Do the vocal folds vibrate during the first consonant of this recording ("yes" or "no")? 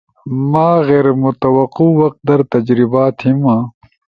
yes